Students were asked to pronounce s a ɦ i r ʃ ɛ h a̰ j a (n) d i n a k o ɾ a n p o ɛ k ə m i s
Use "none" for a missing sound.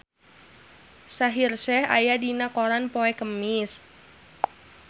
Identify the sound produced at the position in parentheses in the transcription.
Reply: none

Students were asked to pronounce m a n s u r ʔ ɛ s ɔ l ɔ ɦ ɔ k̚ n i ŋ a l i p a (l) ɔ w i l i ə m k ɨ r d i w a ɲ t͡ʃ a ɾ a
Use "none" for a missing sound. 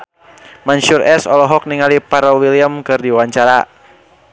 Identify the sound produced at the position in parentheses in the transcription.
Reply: ɾ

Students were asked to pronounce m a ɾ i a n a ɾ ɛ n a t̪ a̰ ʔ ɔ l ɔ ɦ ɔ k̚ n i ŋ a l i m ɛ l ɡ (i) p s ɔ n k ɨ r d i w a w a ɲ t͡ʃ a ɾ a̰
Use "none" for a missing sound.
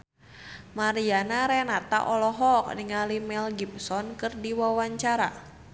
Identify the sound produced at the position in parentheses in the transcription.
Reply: i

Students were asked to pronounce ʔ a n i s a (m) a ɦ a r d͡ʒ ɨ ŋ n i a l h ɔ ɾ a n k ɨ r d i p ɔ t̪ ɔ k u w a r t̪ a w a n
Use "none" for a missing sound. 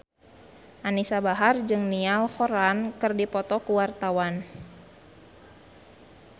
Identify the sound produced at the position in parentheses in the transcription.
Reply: b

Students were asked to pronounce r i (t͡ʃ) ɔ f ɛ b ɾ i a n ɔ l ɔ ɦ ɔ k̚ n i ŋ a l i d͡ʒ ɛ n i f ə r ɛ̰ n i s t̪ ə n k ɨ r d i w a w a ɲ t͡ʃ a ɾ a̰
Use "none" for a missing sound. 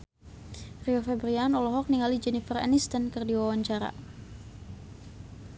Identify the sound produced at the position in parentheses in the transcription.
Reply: none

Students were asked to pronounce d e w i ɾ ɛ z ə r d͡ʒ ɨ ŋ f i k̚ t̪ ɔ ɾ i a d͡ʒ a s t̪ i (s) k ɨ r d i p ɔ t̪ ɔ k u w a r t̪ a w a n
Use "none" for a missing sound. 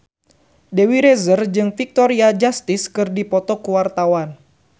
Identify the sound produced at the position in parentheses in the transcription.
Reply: s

